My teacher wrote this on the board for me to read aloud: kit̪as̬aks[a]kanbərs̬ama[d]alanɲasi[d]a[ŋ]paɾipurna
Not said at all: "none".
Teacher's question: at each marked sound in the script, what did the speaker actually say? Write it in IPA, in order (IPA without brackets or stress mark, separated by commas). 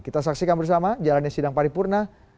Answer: i, d͡ʒ, d, ŋ